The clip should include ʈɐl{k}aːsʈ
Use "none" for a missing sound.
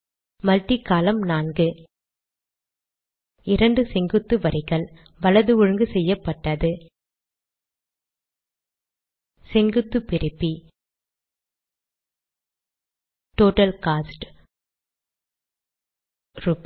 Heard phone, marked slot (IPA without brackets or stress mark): k